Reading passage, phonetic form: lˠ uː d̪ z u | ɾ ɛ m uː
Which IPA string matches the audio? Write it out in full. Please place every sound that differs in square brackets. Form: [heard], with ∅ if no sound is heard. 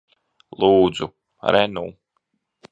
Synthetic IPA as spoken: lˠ uː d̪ z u | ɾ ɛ [n] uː